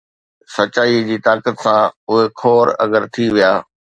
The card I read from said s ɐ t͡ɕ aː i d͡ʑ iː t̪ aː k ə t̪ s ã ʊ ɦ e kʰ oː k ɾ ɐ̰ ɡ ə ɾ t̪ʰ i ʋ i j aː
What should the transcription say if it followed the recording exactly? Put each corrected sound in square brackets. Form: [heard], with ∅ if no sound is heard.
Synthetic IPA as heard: s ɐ t͡ɕ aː i d͡ʑ iː t̪ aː k ə t̪ s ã ʊ ɦ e kʰ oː [∅] ɾ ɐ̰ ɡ ə ɾ t̪ʰ i ʋ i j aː